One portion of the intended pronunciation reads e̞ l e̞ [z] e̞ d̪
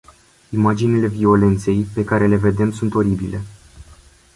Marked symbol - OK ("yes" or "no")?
no